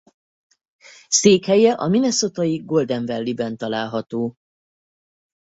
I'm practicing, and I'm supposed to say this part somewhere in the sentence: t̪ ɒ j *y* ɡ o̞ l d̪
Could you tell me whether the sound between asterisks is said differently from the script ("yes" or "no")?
yes